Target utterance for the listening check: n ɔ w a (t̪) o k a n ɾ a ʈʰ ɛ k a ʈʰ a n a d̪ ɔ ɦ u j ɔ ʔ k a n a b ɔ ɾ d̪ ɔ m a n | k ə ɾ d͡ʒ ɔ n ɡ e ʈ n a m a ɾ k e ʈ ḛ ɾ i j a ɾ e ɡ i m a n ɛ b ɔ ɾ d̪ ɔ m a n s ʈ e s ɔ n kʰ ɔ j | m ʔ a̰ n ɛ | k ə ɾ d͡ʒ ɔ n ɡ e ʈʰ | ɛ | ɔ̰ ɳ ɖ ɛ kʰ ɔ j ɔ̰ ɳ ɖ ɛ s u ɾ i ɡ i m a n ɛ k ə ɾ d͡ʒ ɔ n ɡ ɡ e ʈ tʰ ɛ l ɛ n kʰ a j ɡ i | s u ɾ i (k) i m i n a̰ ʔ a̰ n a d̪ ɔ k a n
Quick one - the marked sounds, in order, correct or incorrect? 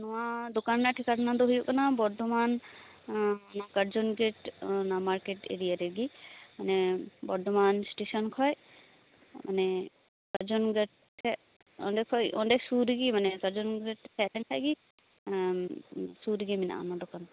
incorrect, incorrect

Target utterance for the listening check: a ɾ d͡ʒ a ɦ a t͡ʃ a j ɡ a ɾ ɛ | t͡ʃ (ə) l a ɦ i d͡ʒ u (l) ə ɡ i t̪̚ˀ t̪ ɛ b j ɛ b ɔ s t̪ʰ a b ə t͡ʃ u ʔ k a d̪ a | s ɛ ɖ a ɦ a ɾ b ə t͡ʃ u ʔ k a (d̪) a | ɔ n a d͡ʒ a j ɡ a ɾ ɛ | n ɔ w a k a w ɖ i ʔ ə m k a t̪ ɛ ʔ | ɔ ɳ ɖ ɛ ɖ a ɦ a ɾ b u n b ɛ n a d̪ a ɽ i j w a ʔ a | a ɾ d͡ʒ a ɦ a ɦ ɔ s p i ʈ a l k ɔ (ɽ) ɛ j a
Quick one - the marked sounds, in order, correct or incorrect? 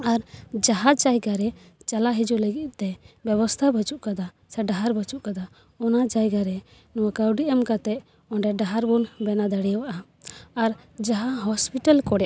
incorrect, correct, correct, correct

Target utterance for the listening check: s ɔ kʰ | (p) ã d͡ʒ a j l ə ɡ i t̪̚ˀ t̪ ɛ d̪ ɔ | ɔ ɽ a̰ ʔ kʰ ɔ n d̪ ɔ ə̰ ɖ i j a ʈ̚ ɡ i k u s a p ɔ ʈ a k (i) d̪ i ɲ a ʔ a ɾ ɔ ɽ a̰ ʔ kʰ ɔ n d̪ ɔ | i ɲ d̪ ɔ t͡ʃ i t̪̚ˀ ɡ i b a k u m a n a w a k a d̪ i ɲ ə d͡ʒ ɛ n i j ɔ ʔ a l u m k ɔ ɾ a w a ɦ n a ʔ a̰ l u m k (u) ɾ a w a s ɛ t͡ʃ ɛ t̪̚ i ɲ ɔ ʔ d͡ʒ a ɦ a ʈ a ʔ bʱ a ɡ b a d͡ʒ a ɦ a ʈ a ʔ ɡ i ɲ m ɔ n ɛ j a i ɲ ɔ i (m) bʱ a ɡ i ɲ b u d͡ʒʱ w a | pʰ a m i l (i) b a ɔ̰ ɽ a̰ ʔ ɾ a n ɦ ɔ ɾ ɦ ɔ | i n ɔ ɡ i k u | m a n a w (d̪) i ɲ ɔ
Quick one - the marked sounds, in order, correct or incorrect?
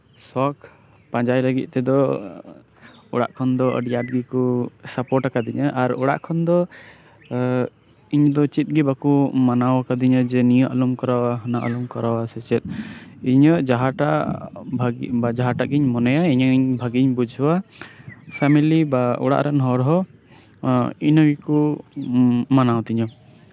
correct, incorrect, incorrect, incorrect, correct, incorrect

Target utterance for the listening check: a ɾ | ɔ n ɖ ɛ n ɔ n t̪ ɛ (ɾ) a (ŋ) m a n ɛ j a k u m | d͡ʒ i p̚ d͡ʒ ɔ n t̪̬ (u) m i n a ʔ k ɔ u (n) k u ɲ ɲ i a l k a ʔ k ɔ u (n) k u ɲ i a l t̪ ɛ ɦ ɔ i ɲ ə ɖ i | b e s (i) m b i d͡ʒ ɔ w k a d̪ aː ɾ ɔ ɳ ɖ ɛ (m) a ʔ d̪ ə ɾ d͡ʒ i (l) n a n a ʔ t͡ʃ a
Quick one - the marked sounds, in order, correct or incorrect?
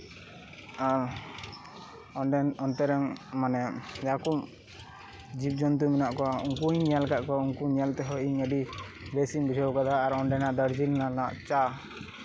correct, correct, correct, incorrect, incorrect, correct, incorrect, correct

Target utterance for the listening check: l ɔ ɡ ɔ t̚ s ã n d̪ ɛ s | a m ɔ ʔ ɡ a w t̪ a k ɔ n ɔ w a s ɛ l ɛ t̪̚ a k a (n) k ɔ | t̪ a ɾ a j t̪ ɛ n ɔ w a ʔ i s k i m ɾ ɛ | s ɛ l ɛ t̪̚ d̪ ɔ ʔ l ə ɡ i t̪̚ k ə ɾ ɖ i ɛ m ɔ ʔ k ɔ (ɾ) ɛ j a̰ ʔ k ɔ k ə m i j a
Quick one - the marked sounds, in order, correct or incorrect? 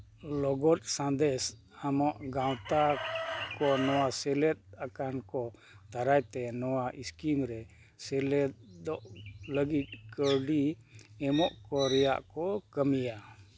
correct, correct

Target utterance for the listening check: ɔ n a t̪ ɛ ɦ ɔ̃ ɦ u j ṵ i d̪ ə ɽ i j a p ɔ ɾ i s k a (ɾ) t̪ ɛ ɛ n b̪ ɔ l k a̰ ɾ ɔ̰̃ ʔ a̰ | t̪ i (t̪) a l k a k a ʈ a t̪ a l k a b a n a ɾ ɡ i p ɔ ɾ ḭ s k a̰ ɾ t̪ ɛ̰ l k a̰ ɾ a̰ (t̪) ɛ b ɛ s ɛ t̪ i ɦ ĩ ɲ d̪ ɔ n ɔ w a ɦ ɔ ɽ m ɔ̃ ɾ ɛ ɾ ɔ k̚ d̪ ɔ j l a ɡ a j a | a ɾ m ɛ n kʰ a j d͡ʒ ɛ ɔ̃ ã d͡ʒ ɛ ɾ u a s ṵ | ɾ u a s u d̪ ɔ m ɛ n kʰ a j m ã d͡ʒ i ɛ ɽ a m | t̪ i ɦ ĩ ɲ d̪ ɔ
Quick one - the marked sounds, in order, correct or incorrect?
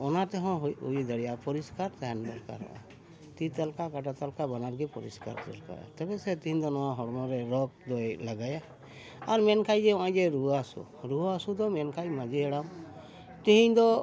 correct, correct, correct

